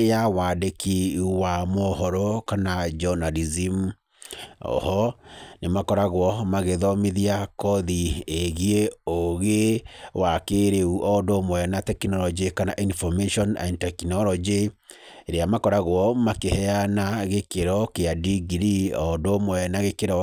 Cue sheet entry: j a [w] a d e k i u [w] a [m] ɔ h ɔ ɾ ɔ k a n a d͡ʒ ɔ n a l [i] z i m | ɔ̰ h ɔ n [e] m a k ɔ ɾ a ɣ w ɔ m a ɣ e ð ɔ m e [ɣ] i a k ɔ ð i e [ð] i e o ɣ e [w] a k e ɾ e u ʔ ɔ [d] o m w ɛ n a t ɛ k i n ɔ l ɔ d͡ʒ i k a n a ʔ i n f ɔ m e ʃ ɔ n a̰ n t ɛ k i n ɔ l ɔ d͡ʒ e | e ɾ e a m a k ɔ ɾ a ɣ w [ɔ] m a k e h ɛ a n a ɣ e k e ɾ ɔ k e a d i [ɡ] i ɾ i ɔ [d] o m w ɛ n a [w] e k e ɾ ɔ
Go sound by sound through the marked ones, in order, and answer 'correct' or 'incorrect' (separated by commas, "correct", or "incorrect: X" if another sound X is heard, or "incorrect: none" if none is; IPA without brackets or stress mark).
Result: correct, correct, correct, correct, correct, incorrect: ð, incorrect: ɣ, correct, correct, correct, correct, correct, incorrect: ɣ